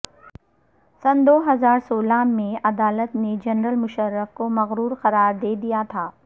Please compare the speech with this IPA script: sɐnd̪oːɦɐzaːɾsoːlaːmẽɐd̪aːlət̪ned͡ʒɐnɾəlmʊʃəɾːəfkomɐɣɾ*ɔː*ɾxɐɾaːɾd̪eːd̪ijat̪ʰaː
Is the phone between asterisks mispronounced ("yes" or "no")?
yes